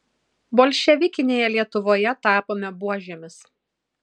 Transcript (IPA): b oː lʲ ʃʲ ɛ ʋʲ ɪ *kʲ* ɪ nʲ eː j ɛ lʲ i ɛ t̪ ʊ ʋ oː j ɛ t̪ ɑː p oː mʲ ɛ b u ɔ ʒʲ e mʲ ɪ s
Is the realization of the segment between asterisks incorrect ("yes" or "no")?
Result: no